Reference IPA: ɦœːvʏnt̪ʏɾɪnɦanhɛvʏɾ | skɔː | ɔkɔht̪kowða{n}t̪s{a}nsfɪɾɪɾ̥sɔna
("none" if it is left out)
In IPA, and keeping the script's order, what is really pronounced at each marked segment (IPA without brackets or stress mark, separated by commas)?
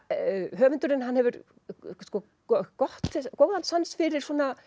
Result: n, a